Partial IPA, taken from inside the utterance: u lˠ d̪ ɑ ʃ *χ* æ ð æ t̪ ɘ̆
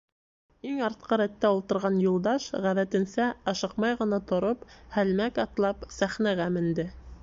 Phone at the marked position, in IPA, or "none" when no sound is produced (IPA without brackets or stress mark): ʁ